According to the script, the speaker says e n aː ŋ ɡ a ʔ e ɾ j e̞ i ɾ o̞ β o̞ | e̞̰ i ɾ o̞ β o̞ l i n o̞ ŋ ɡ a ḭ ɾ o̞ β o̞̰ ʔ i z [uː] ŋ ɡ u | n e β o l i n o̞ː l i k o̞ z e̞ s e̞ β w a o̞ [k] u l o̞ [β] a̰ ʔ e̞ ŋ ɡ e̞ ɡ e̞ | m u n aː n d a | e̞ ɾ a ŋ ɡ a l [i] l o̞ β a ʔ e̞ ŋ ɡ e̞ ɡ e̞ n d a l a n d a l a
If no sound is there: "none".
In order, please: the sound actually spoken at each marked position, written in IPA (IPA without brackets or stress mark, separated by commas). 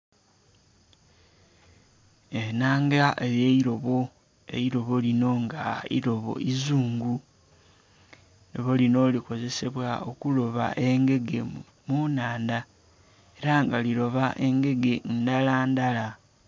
uː, k, β, i